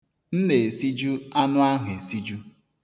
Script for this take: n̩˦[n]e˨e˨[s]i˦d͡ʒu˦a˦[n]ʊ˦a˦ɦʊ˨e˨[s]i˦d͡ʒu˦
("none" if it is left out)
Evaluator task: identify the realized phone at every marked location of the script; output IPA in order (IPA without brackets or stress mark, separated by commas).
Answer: n, s, n, s